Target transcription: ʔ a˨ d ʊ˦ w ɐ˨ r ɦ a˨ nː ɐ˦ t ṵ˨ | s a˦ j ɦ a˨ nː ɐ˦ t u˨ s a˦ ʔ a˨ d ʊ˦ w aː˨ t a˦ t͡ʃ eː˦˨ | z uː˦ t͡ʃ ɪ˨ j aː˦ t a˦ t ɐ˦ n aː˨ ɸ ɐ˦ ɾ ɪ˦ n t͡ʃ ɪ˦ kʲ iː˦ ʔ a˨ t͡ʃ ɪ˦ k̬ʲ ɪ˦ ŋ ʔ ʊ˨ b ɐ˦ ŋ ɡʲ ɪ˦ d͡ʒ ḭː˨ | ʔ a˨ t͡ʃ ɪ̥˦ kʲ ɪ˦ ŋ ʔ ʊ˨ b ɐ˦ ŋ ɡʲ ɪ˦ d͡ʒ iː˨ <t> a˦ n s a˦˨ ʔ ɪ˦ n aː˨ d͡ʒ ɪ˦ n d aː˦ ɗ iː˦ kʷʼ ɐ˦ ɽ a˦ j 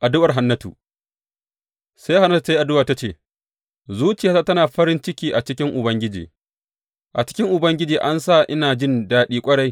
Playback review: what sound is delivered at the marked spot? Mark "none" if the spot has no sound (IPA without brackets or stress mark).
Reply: ʔ